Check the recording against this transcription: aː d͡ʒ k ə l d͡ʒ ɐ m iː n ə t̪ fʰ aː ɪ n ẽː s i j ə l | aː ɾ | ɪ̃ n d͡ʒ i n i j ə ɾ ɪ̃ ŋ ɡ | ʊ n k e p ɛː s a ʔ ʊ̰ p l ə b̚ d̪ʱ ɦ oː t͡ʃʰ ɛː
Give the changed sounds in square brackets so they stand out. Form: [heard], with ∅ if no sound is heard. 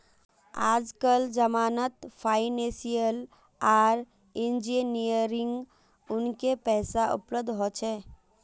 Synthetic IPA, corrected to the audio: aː d͡ʒ k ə l d͡ʒ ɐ m [aː] n ə t̪ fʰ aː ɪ n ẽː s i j ə l | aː ɾ | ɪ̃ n d͡ʒ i n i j ə ɾ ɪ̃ ŋ ɡ | ʊ n k e p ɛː s a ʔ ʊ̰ p l ə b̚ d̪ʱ ɦ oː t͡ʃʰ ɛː